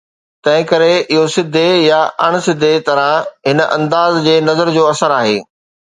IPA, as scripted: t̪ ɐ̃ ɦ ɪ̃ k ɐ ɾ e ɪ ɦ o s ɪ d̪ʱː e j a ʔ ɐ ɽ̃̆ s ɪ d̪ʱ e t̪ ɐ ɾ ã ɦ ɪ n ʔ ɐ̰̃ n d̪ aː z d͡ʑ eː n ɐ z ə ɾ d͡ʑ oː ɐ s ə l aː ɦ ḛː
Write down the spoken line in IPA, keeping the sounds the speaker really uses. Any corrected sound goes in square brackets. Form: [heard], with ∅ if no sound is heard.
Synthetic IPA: t̪ ɐ̃ ɦ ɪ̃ k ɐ ɾ e ɪ ɦ o s ɪ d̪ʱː e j a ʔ ɐ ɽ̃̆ s ɪ d̪ʱ e t̪ ɐ ɾ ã ɦ ɪ n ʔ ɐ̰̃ n d̪ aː z d͡ʑ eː n ɐ z ə ɾ d͡ʑ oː ɐ s ə [ɾ] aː ɦ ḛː